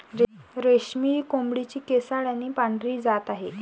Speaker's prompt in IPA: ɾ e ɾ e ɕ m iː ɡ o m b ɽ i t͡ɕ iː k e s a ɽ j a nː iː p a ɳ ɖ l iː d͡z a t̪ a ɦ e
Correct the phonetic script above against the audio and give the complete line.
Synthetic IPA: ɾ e ɾ e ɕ m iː k o m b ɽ i t͡ɕ iː k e s a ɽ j a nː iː p a ɳ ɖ ɾ iː d͡z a t̪ a ɦ e

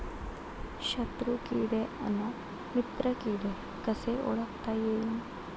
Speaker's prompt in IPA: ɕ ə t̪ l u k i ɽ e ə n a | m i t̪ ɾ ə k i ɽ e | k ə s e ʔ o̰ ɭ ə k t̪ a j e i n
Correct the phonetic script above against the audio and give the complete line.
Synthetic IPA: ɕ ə t̪ ɾ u k i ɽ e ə n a | m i t̪ ɾ ə k i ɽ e | k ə s e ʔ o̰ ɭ ə k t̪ a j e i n

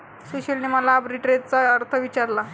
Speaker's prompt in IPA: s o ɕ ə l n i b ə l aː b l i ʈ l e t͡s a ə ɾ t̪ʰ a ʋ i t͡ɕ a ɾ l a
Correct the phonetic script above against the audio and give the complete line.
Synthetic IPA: s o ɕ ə l n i m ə l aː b ɾ i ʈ ɾ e t͡s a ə ɾ t̪ʰ ə ʋ i t͡ɕ a ɾ l a

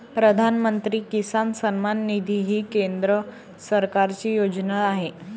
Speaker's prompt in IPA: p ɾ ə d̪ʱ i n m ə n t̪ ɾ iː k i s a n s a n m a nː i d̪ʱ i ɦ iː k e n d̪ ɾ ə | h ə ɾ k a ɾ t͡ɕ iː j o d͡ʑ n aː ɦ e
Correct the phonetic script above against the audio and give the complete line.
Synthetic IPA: p ɾ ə d̪ʱ a n m ə n t̪ ɾ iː k i s a n s ə n m a nː i d̪ʱ i ɦ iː k e n d̪ ɾ ə | s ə ɾ k a ɾ t͡ɕ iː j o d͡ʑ n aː ɦ e

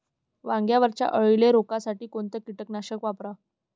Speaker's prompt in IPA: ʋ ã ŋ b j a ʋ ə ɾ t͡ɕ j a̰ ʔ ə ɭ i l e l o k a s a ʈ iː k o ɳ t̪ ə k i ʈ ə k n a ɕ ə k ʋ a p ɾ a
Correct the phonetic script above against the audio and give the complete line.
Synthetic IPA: ʋ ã ŋ ɡ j a ʋ ə ɾ t͡ɕ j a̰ ʔ ə ɭ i l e ɾ o k a s a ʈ iː k o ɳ t̪ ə k i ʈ ə k n a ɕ ə k ʋ a p ɾ a

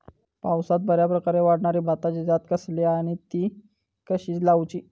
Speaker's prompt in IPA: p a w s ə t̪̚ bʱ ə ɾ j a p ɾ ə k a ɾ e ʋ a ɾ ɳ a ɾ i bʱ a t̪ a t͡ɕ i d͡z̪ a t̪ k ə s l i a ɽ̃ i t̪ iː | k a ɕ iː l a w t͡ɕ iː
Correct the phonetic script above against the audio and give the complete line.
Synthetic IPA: p a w s a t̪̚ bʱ ə ɾ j a p ɾ ə k a ɾ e ʋ a ɽ ɳ a ɾ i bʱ a t̪ a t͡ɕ i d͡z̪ a t̪ k ə s l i a ɽ̃ i t̪ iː | k ə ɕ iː l a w t͡ɕ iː

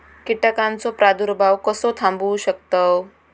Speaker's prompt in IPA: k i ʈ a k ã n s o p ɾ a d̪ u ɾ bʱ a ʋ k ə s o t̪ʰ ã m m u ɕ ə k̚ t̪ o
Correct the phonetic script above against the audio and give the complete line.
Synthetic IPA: k i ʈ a k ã n t͡s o p ɾ a d̪ u ɾ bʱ a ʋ k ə s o t̪ʰ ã m b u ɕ ə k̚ t̪ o

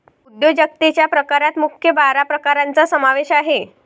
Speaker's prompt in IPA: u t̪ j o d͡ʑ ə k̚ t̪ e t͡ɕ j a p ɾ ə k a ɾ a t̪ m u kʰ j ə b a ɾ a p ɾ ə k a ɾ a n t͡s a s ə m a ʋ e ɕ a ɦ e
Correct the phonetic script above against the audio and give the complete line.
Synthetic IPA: u d̪ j o d͡ʑ ə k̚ t̪ e t͡ɕ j a p ɾ ə k a ɾ a t̪ m u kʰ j ə b a ɾ a p ɾ ə k a ɾ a n t͡s a s ə m a ʋ e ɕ a ɦ e

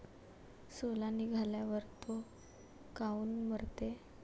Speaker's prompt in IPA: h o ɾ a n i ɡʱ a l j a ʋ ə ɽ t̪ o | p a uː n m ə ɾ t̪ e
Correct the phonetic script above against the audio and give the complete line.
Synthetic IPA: s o l a n i ɡʱ a l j a ʋ ə ɾ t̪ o | k a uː n m ə ɾ t̪ e

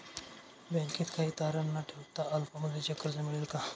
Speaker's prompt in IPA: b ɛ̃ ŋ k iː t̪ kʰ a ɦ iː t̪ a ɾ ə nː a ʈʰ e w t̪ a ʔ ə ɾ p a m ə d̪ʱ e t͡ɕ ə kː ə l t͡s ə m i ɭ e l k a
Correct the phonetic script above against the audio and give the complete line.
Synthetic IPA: b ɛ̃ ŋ k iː t̪ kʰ a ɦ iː t̪ a ɾ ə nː a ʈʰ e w t̪ a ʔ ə l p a m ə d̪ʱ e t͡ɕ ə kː ə ɾ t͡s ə m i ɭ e l k a

